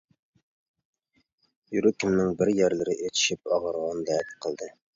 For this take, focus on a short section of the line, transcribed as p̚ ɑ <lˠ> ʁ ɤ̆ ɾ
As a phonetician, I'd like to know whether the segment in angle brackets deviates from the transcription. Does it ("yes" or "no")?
yes